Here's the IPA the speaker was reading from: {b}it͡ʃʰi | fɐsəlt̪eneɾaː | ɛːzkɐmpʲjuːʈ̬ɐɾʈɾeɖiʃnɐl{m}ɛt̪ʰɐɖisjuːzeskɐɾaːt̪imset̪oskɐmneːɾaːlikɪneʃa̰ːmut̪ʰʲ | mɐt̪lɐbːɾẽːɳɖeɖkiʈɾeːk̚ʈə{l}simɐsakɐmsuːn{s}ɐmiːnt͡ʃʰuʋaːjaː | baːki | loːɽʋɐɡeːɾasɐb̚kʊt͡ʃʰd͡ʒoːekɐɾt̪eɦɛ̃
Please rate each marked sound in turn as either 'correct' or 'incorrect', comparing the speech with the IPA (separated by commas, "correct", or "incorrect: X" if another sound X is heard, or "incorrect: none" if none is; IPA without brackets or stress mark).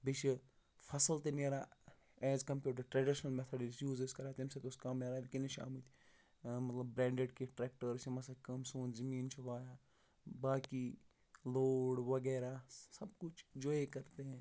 correct, correct, incorrect: ɾ, incorrect: z